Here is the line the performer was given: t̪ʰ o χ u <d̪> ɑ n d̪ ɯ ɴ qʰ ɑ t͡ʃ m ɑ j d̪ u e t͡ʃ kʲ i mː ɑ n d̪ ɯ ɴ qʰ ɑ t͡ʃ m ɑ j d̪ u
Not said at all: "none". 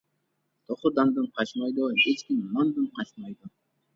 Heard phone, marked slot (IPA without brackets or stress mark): d̪